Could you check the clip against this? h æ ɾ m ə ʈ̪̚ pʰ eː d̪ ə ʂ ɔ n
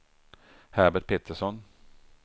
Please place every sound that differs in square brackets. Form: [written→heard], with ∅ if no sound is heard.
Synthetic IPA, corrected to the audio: h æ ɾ [m→b] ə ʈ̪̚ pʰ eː [d̪→t̪] ə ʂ ɔ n